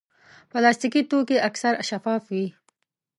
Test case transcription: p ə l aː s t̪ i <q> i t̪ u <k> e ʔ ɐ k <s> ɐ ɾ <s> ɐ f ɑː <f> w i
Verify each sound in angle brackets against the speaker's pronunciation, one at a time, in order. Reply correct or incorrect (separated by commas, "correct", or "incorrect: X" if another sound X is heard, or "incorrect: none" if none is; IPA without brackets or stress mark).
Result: incorrect: k, correct, correct, incorrect: ʃ, correct